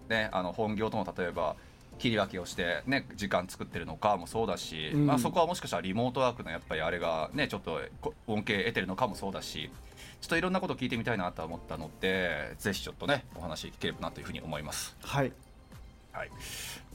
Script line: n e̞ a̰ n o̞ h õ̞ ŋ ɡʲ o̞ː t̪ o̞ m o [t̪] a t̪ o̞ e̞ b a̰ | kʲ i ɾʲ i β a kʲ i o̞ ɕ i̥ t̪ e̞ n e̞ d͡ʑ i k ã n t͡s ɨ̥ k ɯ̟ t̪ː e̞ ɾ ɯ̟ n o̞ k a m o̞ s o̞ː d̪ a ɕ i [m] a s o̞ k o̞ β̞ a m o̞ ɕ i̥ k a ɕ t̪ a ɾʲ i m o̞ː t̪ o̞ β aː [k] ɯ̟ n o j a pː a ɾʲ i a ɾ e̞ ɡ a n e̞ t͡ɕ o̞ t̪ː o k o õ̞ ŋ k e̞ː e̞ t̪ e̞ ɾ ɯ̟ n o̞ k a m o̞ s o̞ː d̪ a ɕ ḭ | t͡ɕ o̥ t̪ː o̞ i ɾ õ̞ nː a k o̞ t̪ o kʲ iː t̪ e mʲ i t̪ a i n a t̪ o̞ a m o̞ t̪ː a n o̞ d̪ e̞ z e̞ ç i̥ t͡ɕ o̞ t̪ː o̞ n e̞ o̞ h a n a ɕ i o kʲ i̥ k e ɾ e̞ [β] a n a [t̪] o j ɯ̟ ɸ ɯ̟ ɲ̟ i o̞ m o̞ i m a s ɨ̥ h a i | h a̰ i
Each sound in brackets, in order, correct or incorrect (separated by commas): correct, correct, correct, incorrect, correct